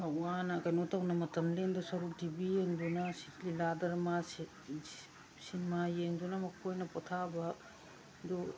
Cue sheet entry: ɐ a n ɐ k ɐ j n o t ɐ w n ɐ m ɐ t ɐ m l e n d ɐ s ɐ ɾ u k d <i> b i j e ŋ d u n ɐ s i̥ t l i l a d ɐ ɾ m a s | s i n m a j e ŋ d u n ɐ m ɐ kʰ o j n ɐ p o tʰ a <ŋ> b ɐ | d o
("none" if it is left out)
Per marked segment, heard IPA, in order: i, none

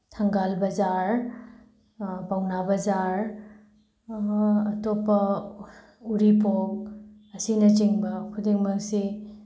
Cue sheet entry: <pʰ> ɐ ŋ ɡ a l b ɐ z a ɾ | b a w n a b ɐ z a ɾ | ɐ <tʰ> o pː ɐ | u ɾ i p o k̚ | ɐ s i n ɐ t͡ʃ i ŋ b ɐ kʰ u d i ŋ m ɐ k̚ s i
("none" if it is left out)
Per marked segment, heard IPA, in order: tʰ, t

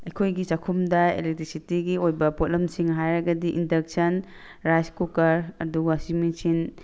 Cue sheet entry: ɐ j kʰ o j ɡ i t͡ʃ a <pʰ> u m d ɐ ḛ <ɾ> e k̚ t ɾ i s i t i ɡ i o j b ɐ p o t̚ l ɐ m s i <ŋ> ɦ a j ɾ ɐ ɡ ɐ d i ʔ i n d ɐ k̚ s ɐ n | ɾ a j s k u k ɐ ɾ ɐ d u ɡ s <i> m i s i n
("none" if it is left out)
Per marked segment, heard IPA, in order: kʰ, l, ŋ, i

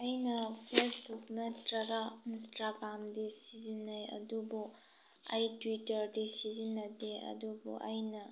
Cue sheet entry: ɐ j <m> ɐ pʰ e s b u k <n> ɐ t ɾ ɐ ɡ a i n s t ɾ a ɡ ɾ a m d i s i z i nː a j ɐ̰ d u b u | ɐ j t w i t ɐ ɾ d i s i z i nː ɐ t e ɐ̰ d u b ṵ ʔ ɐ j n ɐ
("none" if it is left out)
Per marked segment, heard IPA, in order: n, n

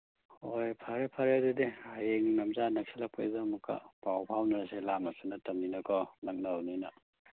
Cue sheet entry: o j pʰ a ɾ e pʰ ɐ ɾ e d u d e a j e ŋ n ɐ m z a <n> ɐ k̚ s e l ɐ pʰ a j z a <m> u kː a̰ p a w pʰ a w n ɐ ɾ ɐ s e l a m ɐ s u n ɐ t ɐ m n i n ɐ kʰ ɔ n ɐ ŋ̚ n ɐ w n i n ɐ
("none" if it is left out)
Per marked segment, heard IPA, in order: n, m

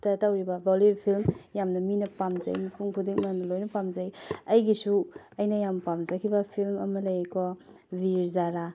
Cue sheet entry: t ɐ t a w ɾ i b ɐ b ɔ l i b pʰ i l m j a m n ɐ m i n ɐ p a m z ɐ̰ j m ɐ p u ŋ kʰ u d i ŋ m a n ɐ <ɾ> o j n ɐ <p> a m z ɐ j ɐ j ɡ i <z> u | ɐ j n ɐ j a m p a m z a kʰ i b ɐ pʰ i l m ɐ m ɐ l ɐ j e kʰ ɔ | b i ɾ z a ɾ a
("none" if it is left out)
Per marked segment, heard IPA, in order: l, p, s

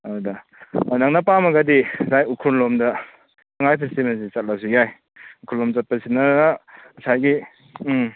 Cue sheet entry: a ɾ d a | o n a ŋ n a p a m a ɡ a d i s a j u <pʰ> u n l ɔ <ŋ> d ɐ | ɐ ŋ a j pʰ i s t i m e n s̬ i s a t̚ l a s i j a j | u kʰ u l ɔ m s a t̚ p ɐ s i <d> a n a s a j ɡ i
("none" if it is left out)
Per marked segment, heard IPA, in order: kʰ, m, n

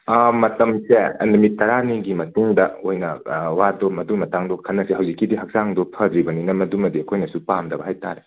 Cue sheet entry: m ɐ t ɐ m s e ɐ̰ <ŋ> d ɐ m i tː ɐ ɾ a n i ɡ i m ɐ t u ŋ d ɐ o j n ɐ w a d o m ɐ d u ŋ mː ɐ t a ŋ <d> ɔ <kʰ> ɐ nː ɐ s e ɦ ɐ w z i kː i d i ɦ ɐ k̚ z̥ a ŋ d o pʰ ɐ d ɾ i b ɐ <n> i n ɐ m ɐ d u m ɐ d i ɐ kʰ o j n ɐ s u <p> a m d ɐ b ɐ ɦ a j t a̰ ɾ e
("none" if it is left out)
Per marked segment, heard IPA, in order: n, d, kʰ, n, p

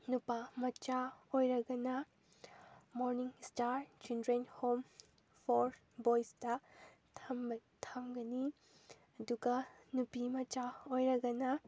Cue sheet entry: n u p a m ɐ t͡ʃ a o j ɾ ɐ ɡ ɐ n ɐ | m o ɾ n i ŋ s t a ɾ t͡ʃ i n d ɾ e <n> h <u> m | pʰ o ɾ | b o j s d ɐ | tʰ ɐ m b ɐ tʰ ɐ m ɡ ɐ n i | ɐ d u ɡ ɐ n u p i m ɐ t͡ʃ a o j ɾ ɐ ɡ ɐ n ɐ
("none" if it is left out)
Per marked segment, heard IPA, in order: n, o

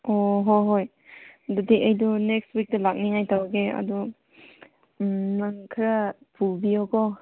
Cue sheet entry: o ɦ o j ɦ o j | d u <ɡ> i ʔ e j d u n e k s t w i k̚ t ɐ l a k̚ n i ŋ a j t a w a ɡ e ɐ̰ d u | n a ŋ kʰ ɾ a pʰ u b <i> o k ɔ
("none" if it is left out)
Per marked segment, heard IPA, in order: d, i

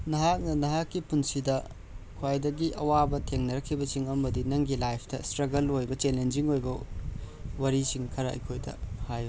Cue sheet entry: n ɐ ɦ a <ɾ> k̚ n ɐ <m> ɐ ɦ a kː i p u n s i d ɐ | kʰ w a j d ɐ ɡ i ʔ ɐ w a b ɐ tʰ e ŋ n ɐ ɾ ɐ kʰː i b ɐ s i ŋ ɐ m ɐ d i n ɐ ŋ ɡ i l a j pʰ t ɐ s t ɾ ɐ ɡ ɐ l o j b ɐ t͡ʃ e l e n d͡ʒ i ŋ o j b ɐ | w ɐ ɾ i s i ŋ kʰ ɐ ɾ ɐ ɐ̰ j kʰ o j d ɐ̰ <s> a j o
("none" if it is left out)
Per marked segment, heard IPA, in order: none, n, h

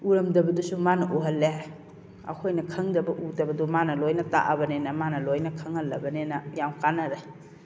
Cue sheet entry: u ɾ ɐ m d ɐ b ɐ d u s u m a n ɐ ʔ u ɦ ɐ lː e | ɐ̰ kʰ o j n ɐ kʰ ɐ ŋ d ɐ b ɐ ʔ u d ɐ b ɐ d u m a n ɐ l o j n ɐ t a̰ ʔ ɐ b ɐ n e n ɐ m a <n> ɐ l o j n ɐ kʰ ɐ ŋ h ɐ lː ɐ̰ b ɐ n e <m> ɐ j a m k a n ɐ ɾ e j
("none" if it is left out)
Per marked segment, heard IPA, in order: n, n

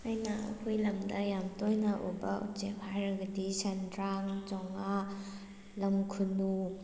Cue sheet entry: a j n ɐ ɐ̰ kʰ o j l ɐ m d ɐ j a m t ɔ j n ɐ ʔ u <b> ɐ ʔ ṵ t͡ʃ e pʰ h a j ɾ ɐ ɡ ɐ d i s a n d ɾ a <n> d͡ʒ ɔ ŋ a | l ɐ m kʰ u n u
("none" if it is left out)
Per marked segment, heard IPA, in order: b, ŋ

